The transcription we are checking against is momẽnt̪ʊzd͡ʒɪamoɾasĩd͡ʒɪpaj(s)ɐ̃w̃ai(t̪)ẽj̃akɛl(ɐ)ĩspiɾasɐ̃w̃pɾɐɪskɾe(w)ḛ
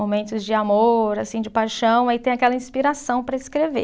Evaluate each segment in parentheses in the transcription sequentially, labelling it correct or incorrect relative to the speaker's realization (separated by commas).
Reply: incorrect, correct, correct, incorrect